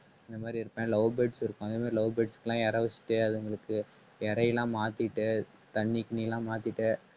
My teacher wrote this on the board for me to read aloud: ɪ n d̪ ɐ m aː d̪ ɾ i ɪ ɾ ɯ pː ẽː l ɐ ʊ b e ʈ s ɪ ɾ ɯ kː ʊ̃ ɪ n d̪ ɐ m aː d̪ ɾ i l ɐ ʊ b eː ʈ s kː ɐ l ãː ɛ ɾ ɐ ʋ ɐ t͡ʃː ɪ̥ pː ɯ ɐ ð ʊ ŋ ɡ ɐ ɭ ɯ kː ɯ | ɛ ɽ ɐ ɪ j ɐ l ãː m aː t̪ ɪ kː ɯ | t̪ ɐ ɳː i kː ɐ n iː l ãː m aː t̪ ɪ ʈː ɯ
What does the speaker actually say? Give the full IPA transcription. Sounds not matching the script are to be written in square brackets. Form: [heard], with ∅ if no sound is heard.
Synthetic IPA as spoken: ɪ n d̪ ɐ m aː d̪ ɾ i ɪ ɾ ɯ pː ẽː l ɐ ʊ b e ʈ s ɪ ɾ ɯ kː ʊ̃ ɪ n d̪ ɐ m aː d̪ ɾ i l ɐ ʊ b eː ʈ s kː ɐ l ãː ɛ ɾ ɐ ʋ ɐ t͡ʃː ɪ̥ [ʈː] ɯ ɐ ð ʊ ŋ ɡ ɐ ɭ ɯ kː ɯ | ɛ [ɾ] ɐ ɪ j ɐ l ãː m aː t̪ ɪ [ʈː] ɯ | t̪ ɐ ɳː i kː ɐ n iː l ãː m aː t̪ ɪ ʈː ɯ